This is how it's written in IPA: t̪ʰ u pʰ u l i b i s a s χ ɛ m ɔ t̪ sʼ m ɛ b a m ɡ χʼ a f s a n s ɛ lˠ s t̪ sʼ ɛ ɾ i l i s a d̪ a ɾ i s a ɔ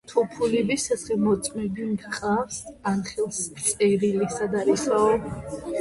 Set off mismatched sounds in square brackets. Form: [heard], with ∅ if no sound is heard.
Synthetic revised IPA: t̪ʰ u pʰ u l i b i s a s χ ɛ m ɔ t̪ sʼ m ɛ b [i] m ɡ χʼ a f s a n [χ] ɛ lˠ s t̪ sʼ ɛ ɾ i l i s a d̪ a ɾ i s a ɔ